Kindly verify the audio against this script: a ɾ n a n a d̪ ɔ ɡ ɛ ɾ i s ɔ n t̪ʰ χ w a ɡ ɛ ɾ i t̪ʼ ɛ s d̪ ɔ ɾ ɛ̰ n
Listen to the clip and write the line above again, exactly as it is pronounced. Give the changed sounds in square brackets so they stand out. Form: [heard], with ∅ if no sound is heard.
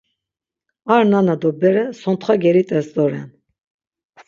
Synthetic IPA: a ɾ n a n a d̪ ɔ [b] ɛ ɾ [ɛ] s ɔ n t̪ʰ χ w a ɡ ɛ ɾ i t̪ʼ ɛ s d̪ ɔ ɾ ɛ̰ n